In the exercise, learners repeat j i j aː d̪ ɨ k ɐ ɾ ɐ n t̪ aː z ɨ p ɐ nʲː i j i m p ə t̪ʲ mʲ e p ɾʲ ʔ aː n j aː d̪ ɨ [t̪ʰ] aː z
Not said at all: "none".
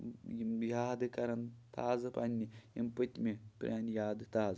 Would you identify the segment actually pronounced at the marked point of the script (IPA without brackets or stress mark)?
t̪